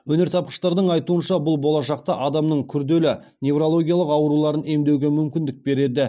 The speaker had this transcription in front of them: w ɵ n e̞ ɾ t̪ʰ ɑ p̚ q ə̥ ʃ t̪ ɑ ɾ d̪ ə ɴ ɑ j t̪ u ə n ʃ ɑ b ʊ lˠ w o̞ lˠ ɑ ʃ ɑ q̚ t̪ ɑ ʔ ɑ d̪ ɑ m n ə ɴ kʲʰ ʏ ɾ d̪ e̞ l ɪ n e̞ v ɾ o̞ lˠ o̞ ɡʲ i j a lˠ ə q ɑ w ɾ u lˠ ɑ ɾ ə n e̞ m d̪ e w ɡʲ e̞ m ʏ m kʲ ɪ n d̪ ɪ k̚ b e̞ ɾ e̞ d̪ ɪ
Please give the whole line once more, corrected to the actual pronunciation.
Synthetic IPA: w ɵ n e̞ ɾ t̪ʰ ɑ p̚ q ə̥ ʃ t̪ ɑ ɾ d̪ ə ɴ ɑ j t̪ u ə n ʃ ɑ b ʊ lˠ b o̞ lˠ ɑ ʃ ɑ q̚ t̪ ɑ ʔ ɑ d̪ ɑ m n ə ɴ kʲʰ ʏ ɾ d̪ e̞ l ɪ n e̞ v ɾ o̞ lˠ o̞ ɡʲ i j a lˠ ə q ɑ w ɾ u lˠ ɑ ɾ ə n e̞ m d̪ e w ɡʲ e̞ m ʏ m kʲ ɪ n d̪ ɪ k̚ b e̞ ɾ e̞ d̪ ɪ